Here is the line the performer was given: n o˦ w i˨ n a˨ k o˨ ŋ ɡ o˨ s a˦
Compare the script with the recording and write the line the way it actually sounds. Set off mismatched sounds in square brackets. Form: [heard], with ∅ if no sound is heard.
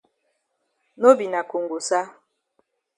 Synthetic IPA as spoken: n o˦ [b] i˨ n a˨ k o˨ ŋ ɡ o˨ s a˦